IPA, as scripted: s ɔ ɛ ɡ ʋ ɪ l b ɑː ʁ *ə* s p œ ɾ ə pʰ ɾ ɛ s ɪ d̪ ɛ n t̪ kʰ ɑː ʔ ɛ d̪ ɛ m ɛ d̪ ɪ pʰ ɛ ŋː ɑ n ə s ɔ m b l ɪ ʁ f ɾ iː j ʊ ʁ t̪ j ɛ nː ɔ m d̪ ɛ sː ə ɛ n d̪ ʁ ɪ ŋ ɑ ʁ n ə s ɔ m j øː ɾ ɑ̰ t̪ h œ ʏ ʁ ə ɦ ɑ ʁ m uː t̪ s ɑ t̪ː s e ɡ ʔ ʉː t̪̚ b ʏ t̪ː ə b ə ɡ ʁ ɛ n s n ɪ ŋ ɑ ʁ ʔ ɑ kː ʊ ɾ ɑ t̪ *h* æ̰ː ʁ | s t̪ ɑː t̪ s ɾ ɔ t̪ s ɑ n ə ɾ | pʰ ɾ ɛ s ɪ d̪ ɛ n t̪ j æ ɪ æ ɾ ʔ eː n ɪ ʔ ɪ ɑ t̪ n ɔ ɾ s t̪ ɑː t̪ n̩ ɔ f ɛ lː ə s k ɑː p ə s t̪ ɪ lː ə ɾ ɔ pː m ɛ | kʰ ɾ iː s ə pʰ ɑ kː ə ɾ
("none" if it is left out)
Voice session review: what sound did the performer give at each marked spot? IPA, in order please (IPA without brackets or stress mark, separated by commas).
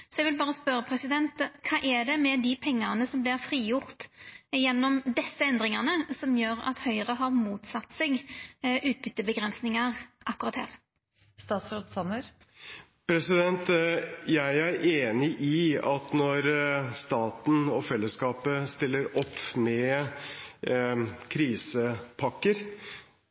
ə, h